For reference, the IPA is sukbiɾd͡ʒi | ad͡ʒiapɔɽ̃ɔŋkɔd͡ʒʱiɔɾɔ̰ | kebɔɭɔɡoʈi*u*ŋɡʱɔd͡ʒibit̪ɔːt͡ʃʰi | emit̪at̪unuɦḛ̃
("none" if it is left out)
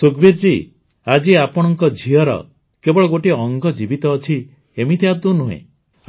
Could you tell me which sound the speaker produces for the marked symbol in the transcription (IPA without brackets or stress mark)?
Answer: ɔ